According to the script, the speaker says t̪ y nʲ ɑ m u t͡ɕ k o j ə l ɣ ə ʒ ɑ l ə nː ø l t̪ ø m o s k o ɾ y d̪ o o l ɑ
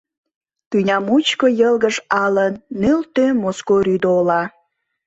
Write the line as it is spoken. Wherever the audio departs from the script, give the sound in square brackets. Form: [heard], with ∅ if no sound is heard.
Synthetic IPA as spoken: t̪ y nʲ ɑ m u t͡ɕ k o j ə l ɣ ə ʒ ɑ l ə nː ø l t̪ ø m o s k o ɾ y d̪ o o l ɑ